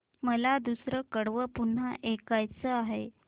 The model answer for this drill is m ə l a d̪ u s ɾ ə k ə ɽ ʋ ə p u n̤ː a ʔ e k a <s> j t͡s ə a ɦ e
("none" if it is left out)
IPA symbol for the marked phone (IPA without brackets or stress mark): none